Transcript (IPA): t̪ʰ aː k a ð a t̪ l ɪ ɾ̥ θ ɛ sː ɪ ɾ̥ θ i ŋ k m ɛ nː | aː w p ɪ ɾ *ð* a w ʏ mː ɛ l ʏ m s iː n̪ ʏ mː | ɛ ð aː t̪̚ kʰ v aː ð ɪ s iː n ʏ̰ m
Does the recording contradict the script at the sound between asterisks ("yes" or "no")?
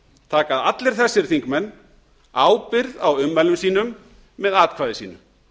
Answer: no